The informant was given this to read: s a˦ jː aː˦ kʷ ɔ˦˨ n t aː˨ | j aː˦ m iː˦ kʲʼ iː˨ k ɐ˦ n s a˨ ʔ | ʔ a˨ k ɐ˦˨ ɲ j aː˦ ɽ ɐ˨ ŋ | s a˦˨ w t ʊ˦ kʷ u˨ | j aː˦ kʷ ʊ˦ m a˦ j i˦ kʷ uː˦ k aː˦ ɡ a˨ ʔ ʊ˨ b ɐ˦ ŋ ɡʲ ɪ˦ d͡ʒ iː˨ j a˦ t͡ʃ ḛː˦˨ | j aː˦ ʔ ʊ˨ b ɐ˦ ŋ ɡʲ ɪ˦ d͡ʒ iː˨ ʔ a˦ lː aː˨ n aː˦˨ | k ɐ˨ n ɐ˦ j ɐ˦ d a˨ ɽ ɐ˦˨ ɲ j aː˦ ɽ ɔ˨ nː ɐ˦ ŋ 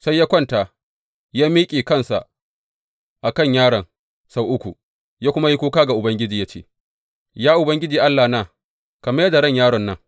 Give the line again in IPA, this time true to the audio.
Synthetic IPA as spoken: s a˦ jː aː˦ kʷ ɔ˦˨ n t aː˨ | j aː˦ m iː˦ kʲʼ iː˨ k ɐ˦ n s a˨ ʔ | ʔ a˨ k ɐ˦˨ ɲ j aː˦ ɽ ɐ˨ ŋ | s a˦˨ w ʔ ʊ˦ kʷ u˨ | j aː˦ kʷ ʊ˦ m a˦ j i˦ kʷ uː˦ k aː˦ ɡ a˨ ʔ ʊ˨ b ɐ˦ ŋ ɡʲ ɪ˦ d͡ʒ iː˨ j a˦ t͡ʃ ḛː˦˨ | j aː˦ ʔ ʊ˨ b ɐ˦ ŋ ɡʲ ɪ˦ d͡ʒ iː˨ ʔ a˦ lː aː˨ n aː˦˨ | k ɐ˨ m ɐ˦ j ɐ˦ d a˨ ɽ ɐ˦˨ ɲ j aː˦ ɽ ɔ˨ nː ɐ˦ ŋ